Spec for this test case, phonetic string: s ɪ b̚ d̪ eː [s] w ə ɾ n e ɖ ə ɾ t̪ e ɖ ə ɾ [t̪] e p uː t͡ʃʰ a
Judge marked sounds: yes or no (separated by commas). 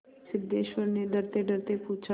no, yes